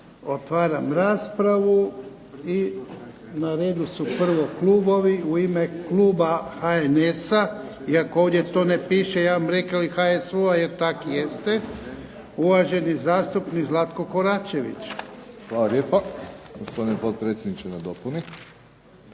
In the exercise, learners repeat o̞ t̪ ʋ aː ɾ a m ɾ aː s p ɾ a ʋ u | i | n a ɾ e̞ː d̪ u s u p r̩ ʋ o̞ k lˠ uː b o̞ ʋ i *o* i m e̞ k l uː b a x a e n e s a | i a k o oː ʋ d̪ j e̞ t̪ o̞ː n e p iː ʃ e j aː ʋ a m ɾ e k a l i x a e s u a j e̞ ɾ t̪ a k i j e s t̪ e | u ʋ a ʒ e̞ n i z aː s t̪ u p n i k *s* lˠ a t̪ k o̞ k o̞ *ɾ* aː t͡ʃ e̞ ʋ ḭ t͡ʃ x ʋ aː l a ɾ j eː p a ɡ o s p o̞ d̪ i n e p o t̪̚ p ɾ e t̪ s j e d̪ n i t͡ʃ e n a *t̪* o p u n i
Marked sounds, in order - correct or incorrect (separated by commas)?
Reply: incorrect, incorrect, correct, incorrect